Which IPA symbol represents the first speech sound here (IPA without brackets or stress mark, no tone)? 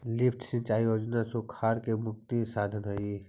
l